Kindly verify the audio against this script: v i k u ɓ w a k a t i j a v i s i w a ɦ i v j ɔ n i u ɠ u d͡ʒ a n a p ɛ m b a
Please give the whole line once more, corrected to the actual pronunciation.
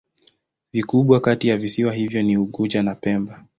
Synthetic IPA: v i k u ɓ w a k a t i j a v i s i w a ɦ i v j ɔ n i u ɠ u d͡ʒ a n a p ɛ m b a